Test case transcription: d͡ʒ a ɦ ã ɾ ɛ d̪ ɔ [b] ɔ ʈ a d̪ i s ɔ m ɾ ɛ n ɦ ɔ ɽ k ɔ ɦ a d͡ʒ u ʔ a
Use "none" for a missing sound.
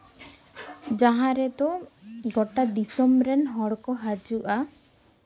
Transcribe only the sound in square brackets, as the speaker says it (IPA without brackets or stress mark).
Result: ɡ